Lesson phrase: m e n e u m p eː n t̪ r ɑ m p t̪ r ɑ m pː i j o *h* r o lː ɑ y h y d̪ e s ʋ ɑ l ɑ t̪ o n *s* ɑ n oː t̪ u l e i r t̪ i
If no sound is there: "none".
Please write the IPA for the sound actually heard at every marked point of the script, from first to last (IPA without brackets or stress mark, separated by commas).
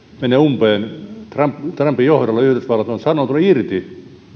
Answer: h, s